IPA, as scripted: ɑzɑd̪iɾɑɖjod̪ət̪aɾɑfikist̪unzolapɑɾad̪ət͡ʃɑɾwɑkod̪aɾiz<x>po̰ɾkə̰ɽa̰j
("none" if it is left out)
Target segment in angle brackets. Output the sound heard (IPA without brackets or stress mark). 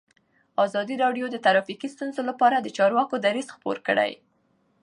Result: x